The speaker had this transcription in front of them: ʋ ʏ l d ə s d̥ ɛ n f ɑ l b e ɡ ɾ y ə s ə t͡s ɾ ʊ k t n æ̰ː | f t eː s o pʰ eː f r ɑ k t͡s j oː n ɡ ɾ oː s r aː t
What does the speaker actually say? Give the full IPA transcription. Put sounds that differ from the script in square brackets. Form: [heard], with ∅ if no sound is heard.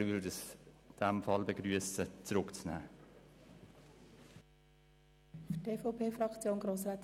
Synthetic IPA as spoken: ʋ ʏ l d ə s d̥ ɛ [m] f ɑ l b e ɡ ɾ y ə s ə t͡s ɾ ʊ k [t͡s] n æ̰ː | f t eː [f] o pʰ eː f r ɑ k t͡s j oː n ɡ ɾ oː s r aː t